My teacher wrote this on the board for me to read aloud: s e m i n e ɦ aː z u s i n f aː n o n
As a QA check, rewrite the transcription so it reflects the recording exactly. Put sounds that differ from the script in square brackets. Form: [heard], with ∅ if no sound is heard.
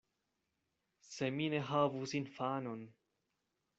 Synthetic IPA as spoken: s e m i n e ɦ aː [v] u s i n f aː n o n